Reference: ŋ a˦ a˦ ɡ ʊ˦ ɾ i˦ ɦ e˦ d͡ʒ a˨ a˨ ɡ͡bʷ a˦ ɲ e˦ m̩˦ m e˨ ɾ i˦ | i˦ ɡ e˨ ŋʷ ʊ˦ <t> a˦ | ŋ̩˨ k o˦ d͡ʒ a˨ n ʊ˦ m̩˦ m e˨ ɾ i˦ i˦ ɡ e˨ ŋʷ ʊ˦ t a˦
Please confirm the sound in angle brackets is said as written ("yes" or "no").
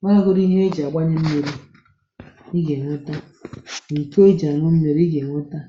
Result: yes